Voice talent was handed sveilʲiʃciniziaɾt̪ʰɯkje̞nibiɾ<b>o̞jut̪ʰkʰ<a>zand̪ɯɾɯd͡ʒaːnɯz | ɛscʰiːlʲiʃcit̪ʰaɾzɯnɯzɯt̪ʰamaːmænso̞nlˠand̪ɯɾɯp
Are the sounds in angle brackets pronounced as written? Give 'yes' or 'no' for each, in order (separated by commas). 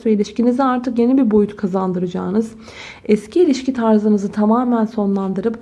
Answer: yes, yes